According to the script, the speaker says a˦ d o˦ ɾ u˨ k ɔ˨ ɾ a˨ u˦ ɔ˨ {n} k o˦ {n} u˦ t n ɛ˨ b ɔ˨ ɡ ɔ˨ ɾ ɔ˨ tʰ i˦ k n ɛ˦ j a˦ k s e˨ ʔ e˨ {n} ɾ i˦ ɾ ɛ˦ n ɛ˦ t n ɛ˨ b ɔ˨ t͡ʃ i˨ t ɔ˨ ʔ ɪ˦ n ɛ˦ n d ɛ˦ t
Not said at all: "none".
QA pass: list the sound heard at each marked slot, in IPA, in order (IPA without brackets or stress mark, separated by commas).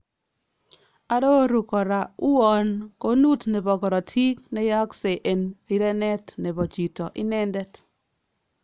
n, n, n